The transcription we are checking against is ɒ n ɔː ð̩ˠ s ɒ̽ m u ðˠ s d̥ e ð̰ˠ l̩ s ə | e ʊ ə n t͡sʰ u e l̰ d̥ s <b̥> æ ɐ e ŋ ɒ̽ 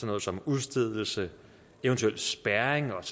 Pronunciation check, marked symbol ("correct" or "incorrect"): correct